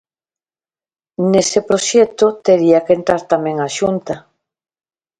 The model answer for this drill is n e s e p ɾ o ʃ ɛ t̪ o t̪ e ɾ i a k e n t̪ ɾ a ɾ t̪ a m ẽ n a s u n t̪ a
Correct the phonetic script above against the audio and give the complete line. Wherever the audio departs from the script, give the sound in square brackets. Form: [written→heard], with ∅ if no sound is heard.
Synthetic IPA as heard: n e s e p ɾ o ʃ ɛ t̪ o t̪ e ɾ i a k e n t̪ ɾ a ɾ t̪ a m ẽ [n→ŋ] a [s→ʃ] u n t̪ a